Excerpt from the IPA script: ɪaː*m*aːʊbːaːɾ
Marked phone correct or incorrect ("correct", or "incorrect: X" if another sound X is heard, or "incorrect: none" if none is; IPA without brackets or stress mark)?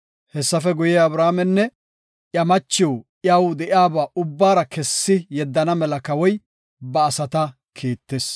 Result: incorrect: b